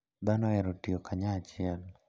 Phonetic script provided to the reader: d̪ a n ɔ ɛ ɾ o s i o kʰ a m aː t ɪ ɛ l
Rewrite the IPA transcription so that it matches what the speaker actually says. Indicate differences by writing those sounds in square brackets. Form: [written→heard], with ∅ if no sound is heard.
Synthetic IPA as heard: d̪ a n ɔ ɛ ɾ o [s→t] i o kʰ a [m→ɲ] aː [t→t͡ʃ] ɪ ɛ l